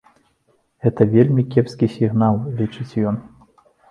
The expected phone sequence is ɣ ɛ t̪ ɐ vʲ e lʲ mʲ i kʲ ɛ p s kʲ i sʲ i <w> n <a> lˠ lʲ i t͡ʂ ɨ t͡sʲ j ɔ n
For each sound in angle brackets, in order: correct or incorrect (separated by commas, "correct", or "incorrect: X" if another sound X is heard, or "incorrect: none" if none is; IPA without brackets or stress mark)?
incorrect: ɣ, correct